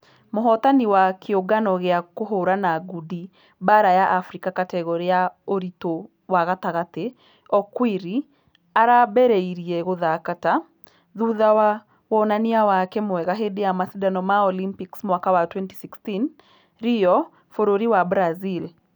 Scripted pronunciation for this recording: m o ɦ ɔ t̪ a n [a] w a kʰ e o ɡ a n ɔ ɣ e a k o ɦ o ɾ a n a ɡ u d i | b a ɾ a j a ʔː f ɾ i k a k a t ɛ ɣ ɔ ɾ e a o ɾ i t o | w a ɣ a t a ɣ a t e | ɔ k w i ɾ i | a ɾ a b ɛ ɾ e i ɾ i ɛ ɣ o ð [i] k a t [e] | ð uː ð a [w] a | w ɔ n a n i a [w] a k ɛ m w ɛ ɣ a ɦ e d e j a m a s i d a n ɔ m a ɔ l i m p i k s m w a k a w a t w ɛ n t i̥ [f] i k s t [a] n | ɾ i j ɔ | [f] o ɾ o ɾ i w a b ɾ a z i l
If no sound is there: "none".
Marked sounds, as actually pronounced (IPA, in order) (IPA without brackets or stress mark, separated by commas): i, a, a, w, w, s, i, f